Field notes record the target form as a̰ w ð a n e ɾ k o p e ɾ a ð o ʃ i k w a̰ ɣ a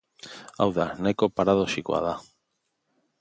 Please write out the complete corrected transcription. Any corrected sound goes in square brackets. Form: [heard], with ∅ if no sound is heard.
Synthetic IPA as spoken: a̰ w ð a n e [∅] k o p [a] ɾ a ð o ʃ i k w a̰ [ð] a